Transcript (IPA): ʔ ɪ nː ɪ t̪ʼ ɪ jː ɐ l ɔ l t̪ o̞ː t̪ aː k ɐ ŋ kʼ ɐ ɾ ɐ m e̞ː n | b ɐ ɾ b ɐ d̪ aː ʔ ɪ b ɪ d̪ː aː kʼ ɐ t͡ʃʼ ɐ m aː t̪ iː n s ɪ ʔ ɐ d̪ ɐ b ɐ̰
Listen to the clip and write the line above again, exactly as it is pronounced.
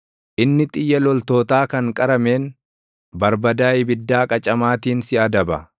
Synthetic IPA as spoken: ʔ ɪ nː ɪ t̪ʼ ɪ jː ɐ l ɔ l t̪ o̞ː t̪ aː k ɐ ŋ kʼ ɐ ɾ ɐ m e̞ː n | b ɐ ɾ b ɐ d̪ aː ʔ ɪ b ɪ d̪ː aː kʼ ɐ t͡ʃʼ ɐ m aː t̪ iː n s ɪ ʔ ɐ d̪ ɐ b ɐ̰